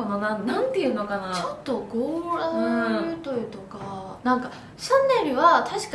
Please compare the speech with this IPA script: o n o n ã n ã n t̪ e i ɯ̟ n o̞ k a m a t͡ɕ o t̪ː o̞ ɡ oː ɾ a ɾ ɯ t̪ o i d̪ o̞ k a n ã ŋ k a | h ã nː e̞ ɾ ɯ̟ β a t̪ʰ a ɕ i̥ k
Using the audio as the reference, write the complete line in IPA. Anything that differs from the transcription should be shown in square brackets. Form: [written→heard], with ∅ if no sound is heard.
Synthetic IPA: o n o n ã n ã n t̪ e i ɯ̟ n o̞ k a [m→n] a t͡ɕ o t̪ː o̞ ɡ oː ɾ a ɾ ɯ t̪ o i [d̪→t̪] o̞ k a n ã ŋ k a | [h→ɕ] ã nː e̞ ɾ ɯ̟ β a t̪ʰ a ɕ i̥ k